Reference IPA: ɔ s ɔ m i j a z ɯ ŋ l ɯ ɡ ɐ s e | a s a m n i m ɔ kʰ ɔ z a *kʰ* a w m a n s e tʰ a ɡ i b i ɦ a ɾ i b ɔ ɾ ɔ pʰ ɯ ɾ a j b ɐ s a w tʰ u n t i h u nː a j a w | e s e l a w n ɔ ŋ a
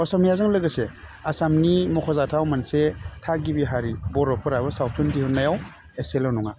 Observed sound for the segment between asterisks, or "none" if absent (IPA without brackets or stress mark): tʰ